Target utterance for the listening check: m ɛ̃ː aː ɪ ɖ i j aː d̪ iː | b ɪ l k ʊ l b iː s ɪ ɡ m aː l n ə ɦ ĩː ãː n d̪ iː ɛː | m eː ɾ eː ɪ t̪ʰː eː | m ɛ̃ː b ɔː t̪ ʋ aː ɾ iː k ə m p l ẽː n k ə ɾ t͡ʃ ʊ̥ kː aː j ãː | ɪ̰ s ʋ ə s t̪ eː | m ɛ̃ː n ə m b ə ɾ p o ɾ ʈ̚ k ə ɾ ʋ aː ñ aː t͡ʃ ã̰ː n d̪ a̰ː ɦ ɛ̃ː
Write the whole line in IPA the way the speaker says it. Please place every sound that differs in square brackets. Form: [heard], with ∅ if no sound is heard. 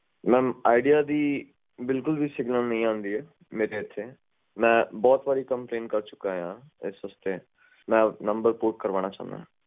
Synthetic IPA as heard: m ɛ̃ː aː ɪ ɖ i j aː d̪ iː | b ɪ l k ʊ l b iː s ɪ ɡ [n] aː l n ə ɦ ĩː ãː n d̪ iː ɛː | m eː ɾ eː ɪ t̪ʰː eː | m ɛ̃ː b ɔː t̪ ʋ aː ɾ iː k ə m p l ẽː n k ə ɾ t͡ʃ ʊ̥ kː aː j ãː | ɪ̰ s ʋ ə s t̪ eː | m ɛ̃ː n ə m b ə ɾ p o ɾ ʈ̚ k ə ɾ ʋ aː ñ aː t͡ʃ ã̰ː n d̪ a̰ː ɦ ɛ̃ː